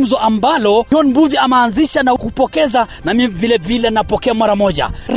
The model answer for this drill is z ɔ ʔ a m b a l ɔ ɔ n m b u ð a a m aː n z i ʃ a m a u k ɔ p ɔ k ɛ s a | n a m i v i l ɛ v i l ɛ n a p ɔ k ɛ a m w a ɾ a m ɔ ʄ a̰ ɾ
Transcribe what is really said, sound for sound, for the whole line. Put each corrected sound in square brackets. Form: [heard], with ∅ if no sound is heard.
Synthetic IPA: z ɔ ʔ a m b a l ɔ ɔ n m b u ð [i] a m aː n z i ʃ a [n] a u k [u] p ɔ k ɛ [z] a | n a m i v i l ɛ v i l ɛ n a p ɔ k ɛ a m w a ɾ a m ɔ ʄ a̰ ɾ